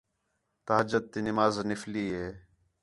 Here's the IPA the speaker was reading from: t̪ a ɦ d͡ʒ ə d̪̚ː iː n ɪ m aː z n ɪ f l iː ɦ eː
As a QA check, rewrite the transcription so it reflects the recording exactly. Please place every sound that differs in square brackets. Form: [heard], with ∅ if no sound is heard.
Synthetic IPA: t̪ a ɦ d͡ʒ ə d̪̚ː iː n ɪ m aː z n ɪ f l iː ɦ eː